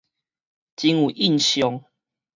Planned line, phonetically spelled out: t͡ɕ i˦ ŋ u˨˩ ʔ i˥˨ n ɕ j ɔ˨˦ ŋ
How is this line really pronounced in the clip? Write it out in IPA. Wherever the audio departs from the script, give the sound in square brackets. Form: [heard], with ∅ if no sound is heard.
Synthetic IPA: t͡ɕ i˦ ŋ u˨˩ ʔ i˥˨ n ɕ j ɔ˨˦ ŋ